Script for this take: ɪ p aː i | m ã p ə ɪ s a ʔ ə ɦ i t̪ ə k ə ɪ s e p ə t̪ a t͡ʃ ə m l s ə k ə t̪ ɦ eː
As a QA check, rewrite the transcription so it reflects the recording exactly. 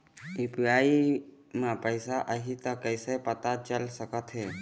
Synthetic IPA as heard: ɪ p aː i | m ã p ə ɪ s a ʔ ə ɦ i t̪ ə k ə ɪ s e p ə t̪ a t͡ʃ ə l s ə k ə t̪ ɦ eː